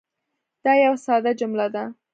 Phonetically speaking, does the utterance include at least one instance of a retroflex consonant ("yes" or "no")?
no